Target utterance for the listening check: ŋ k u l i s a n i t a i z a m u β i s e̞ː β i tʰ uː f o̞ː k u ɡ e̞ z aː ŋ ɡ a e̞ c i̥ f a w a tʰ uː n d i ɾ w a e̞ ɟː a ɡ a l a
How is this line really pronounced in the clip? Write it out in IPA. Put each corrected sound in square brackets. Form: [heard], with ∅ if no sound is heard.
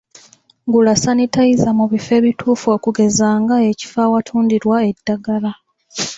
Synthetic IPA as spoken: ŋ [ɡ] u l [a] s a n i t a i z a m u β i [f] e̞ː β i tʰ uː f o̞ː k u ɡ e̞ z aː ŋ ɡ a e̞ c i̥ f a w a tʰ uː n d i ɾ w a e̞ [dː] a ɡ a l a